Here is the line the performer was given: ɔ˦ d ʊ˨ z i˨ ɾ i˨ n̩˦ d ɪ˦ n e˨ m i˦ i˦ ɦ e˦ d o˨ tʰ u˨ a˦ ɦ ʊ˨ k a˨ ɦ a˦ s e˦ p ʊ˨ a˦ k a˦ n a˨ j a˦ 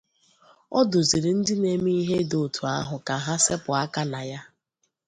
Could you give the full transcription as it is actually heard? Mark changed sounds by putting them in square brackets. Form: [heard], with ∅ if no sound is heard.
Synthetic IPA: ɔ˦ d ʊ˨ z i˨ ɾ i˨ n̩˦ d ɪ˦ n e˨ m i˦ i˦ ɦ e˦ d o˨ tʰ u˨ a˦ ɦ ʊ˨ k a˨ ɦ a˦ s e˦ p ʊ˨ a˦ k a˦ n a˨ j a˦